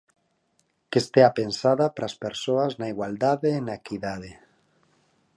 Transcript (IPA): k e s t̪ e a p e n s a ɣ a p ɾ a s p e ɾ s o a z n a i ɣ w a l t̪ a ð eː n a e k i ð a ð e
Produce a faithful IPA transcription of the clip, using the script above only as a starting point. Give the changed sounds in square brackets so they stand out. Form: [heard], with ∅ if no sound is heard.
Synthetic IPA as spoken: k e s t̪ e a p e n s a [ð] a p ɾ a s p e ɾ s o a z n a i ɣ w a l [d̪] a ð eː n a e k i ð a ð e